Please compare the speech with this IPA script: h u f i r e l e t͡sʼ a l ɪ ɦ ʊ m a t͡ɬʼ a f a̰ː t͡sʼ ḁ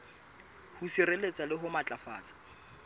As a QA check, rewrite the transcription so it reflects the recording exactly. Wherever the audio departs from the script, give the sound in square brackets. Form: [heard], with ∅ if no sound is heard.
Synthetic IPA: h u [s] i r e l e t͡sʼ a l ɪ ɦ ʊ m a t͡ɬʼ a f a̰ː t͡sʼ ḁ